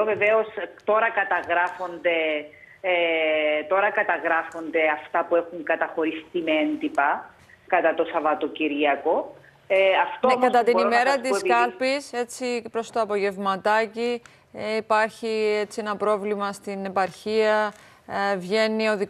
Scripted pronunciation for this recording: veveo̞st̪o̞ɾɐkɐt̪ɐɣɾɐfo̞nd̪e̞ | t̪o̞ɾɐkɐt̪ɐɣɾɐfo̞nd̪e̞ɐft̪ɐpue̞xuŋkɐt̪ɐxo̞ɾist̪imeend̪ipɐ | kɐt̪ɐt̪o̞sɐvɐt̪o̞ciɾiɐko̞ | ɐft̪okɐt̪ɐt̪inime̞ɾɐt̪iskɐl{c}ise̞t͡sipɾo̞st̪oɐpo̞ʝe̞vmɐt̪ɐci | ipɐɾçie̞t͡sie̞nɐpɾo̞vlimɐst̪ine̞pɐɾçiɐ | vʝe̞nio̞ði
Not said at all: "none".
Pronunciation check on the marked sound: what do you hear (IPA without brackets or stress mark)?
p